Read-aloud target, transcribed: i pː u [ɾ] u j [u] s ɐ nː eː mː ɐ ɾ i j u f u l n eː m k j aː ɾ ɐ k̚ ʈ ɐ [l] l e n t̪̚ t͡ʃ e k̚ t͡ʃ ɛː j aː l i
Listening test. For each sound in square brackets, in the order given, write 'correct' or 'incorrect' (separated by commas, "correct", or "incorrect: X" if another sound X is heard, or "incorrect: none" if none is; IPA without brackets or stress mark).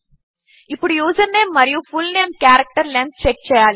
incorrect: ɽ, incorrect: uː, incorrect: ɾ